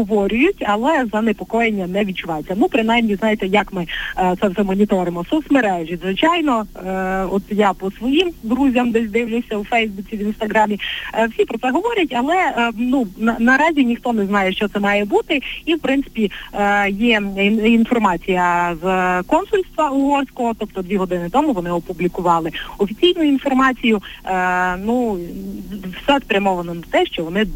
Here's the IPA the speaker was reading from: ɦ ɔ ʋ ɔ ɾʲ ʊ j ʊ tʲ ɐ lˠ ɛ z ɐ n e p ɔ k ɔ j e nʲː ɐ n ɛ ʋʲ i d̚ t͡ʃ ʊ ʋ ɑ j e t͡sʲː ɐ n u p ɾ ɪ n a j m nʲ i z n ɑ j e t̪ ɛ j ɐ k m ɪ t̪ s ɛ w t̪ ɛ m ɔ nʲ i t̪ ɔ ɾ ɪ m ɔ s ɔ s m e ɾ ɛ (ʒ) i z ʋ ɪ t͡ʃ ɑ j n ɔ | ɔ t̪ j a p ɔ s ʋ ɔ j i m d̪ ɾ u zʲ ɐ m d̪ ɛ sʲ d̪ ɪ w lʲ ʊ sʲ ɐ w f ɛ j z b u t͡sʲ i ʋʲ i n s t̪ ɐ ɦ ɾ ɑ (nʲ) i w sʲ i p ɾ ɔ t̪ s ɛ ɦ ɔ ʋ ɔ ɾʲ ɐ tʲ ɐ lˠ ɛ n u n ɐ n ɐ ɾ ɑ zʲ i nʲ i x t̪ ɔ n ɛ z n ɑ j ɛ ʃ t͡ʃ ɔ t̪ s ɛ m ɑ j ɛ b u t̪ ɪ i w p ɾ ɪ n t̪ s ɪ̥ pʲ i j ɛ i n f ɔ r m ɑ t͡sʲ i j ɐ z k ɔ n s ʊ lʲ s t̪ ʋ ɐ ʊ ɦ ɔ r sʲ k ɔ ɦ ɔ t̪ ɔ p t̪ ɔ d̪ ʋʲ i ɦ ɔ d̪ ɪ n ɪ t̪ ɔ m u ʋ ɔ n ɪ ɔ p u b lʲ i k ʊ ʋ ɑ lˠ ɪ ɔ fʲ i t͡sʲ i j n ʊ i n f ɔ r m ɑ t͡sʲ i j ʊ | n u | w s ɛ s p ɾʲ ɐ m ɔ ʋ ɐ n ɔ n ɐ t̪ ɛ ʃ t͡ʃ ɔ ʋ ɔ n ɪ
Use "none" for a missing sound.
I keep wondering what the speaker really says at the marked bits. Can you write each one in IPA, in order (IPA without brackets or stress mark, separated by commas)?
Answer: ʒ, mʲ